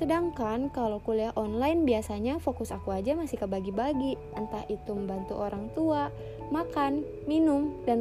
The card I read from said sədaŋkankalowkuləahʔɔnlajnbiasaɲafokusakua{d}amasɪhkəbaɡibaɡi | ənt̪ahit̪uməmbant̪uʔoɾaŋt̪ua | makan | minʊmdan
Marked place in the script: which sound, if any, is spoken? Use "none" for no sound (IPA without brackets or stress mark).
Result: d͡ʒ